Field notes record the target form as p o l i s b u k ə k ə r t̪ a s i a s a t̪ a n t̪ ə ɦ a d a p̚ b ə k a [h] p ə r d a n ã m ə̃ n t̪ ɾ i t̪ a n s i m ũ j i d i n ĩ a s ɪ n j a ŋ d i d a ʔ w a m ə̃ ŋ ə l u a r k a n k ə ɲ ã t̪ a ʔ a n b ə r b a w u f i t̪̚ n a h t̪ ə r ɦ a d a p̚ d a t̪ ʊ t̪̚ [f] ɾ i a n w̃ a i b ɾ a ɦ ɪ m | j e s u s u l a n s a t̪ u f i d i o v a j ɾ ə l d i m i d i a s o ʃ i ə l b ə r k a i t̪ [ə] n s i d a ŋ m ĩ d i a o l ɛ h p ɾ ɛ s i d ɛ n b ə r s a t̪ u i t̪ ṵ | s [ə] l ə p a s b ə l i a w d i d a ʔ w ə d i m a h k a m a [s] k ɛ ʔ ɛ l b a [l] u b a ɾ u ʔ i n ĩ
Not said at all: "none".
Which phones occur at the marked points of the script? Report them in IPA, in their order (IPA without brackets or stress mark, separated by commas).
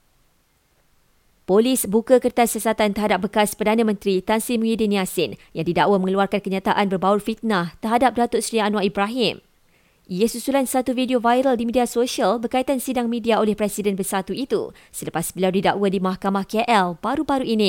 s, s, a, ə, h, ɾ